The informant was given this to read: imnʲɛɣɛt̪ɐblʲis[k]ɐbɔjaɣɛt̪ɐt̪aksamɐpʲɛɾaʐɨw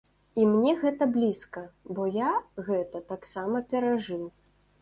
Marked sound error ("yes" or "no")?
no